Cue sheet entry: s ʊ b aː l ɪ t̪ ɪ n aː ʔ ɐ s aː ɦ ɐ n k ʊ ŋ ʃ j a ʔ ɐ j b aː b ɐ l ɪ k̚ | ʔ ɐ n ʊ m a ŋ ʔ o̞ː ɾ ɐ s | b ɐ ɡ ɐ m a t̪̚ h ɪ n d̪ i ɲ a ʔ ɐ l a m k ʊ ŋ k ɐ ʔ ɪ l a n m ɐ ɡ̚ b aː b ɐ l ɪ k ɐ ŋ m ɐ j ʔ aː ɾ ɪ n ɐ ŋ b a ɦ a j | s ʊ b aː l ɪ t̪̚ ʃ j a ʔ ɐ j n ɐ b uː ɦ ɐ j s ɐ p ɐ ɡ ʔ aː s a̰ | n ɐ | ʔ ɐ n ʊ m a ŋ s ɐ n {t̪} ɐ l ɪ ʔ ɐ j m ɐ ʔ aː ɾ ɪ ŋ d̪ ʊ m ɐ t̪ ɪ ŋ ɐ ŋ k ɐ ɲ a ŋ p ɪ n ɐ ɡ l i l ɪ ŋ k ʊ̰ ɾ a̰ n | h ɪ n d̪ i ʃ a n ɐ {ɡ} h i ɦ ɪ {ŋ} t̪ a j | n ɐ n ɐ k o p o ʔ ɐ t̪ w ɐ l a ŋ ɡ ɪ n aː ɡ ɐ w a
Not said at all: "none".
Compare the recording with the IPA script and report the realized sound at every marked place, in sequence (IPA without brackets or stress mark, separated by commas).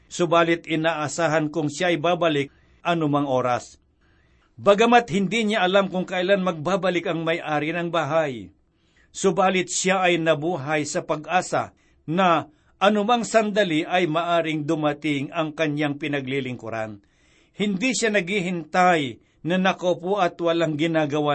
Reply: d̪, ɡ, n